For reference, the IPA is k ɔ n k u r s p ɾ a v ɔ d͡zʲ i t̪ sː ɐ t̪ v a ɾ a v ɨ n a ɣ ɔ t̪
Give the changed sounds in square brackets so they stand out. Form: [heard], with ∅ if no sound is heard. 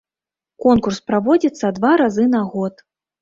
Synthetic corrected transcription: k ɔ n k u r s p ɾ a v ɔ d͡zʲ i t̪ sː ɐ [d̪] v a ɾ a [z] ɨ n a ɣ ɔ t̪